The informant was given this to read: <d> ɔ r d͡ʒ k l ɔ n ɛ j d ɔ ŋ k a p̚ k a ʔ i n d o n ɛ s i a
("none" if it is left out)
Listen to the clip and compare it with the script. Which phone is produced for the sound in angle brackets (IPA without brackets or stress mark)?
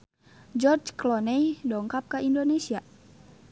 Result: d͡ʒ